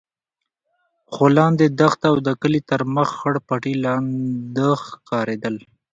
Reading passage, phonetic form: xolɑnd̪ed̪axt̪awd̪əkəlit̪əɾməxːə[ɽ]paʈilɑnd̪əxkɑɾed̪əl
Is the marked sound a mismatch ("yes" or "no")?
no